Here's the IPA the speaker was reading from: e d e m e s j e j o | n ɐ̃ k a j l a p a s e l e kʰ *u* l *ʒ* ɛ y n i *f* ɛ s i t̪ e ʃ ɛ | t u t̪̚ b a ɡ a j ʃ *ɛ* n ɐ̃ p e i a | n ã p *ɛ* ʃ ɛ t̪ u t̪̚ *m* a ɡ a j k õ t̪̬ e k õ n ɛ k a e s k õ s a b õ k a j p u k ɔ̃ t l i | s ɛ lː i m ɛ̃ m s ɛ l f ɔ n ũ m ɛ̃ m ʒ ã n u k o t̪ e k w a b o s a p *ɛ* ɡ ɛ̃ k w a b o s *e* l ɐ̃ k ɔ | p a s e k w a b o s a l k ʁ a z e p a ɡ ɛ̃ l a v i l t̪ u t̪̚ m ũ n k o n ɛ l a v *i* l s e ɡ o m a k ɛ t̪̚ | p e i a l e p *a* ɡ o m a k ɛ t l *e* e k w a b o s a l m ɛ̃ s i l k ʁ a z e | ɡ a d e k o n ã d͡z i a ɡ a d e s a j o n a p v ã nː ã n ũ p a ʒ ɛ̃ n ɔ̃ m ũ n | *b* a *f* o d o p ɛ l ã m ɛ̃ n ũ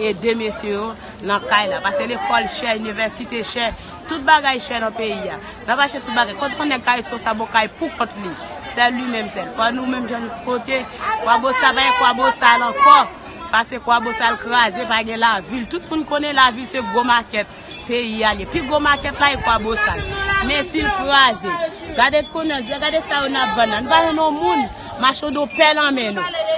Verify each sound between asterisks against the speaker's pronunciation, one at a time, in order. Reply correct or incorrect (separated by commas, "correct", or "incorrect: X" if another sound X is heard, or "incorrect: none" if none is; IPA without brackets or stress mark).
incorrect: ɔ, incorrect: ʃ, incorrect: v, correct, incorrect: a, incorrect: b, incorrect: a, incorrect: a, correct, incorrect: i, incorrect: a, incorrect: m, incorrect: ʃ